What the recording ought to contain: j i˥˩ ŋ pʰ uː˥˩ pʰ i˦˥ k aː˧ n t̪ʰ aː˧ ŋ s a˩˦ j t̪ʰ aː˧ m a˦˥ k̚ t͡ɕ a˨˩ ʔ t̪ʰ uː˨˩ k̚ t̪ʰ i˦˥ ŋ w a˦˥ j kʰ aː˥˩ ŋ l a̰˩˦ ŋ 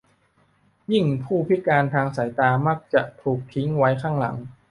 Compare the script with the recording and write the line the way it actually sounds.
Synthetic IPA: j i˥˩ ŋ pʰ uː˥˩ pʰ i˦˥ k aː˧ n t̪ʰ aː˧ ŋ s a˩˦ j t̪ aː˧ m a˦˥ k̚ t͡ɕ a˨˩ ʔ t̪ʰ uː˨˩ k̚ t̪ʰ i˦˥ ŋ w a˦˥ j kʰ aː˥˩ ŋ l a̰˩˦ ŋ